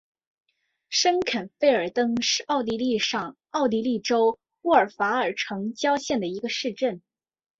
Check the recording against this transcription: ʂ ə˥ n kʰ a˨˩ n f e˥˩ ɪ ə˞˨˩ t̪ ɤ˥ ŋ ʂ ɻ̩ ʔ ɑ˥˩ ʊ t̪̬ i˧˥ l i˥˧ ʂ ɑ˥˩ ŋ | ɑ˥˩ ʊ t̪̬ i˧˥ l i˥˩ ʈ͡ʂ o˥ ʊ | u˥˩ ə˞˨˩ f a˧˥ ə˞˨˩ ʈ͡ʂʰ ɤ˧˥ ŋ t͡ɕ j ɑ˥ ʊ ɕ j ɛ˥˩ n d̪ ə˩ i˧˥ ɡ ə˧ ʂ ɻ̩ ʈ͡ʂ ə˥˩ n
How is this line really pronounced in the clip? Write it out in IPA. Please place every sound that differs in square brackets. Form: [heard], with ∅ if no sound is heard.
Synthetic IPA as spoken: ʂ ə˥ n kʰ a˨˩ n f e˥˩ ɪ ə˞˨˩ t̪ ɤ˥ ŋ ʂ ɻ̩ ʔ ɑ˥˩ ʊ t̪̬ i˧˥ l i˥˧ ʂ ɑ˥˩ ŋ | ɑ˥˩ ʊ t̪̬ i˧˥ l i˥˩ ʈ͡ʂ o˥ ʊ | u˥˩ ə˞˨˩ f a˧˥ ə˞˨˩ ʈ͡ʂʰ ɤ˧˥ ŋ t͡ɕ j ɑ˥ ʊ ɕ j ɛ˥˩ n d̪ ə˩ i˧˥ ɡ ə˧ ʂ ɻ̩ ʈ͡ʂ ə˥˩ n